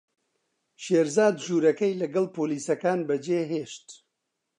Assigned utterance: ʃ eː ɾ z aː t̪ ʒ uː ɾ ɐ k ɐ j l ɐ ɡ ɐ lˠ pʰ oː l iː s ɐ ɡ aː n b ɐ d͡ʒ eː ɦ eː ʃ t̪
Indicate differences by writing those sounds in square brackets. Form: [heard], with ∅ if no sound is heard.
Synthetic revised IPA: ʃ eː ɾ z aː [d̪] ʒ uː ɾ ɐ k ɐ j l ɐ ɡ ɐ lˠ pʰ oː l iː s ɐ [k] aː n b ɐ d͡ʒ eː ɦ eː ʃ t̪